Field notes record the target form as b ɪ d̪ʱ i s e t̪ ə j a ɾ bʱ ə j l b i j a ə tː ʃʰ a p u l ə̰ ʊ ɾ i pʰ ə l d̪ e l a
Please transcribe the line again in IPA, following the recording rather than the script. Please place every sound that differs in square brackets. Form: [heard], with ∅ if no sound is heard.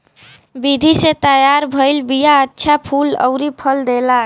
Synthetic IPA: b [i] d̪ʱ i s e t̪ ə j a ɾ bʱ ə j l b i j a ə tː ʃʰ a [pʰ] u l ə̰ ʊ ɾ i pʰ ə l d̪ e l a